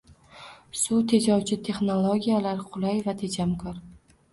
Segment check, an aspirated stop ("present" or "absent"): present